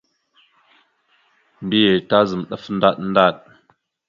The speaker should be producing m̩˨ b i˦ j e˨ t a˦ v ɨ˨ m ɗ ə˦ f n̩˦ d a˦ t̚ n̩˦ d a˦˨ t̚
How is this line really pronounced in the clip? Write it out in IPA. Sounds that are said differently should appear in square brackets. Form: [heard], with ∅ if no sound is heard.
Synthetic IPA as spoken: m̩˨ b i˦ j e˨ t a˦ [z] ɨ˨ m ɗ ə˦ f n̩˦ d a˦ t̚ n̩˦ d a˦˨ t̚